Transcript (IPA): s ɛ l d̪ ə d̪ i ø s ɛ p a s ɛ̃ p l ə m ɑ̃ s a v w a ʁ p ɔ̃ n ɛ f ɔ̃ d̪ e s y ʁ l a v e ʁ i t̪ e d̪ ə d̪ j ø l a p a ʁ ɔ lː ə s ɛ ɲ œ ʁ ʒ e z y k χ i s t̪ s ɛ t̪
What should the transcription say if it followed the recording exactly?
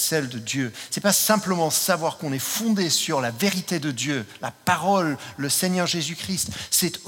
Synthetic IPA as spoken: s ɛ l d̪ ə d̪ j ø s ɛ p a s ɛ̃ p l ə m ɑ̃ s a v w a ʁ k ɔ̃ n ɛ f ɔ̃ d̪ e s y ʁ l a v e ʁ i t̪ e d̪ ə d̪ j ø l a p a ʁ ɔ lː ə s ɛ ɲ œ ʁ ʒ e z y k χ i s t̪ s ɛ t̪